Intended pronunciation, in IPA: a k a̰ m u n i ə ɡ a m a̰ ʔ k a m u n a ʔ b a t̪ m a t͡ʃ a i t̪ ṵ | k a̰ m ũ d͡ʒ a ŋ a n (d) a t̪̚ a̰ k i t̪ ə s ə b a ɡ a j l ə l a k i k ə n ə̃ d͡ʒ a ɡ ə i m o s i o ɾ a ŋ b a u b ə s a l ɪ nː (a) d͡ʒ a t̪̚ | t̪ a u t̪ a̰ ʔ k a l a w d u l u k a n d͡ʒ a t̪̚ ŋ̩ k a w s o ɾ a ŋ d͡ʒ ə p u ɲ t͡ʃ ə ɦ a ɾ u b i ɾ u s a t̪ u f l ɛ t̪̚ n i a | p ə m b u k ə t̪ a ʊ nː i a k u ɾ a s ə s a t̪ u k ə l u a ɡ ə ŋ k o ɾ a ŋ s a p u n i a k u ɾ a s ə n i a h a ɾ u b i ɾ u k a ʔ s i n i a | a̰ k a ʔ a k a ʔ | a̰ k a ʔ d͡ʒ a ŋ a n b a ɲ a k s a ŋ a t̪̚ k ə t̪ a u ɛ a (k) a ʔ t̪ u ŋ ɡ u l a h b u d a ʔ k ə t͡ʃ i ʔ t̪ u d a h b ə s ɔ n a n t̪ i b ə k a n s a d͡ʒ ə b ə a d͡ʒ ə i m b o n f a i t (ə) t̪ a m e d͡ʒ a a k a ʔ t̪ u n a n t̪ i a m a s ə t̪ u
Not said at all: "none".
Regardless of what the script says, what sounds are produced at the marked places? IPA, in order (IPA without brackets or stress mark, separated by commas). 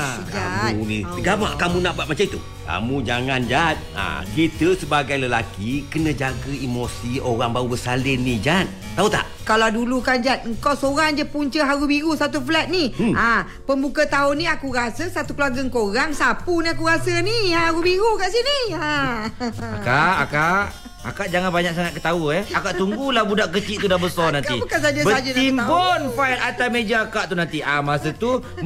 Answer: d͡ʒ, i, k, a